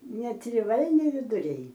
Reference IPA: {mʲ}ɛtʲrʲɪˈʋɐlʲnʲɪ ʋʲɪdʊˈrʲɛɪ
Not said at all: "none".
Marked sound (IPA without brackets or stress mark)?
nʲ